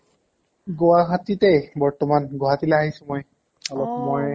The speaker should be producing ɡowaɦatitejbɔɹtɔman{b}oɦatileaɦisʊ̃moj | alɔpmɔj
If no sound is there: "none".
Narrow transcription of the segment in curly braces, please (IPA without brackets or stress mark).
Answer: ɡ